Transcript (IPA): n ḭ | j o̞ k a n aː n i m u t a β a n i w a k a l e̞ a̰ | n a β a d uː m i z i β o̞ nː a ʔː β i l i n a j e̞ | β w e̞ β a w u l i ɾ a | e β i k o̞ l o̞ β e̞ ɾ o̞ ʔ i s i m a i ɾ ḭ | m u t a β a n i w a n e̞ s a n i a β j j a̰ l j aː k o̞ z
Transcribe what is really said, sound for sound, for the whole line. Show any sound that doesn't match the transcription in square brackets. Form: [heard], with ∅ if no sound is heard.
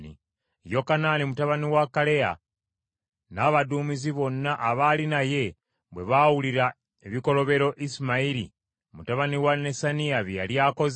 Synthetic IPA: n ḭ | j o̞ k a n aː n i m u t a β a n i w a k a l e̞ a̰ | n a β a d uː m i z i β o̞ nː a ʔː β [a] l i n a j e̞ | β w e̞ β a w u l i ɾ a | e β i k o̞ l o̞ β e̞ ɾ o̞ ʔ i s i m a i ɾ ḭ | m u t a β a n i w a n e̞ s a n i a β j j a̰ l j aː k o̞ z